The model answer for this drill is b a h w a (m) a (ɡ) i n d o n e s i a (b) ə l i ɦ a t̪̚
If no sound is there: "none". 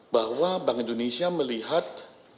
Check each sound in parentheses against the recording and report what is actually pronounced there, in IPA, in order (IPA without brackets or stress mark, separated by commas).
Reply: b, ŋ, m